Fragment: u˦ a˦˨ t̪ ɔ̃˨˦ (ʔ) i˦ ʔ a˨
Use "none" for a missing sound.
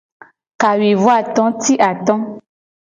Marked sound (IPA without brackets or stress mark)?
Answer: t